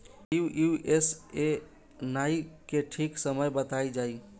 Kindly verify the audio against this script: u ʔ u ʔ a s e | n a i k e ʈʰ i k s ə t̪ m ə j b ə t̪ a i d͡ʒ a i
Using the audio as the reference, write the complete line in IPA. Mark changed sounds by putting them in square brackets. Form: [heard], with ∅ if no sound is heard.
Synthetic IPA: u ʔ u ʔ [e] s e | n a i k e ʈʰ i k s ə [∅] m ə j b ə t̪ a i d͡ʒ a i